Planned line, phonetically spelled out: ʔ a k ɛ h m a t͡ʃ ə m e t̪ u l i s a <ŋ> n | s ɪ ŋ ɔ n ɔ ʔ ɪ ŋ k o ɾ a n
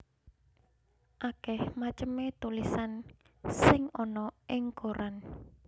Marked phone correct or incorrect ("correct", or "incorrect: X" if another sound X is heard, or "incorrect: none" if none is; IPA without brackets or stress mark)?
incorrect: none